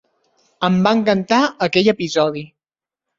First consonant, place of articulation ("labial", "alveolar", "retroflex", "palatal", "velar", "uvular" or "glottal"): labial